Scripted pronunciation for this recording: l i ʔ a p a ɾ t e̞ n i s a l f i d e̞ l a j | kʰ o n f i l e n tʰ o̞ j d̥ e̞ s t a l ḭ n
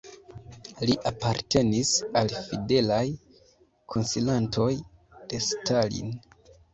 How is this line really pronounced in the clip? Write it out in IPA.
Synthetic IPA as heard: l i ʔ a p a ɾ t e̞ n i s a l f i d e̞ l a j | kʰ o n s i l a n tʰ o̞ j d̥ e̞ s t a l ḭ n